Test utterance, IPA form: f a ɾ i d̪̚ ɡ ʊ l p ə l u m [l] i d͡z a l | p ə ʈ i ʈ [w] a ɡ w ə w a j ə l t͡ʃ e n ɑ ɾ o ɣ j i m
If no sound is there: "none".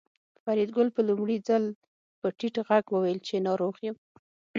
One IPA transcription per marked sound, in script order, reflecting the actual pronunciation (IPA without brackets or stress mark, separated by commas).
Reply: ɽ, ɣ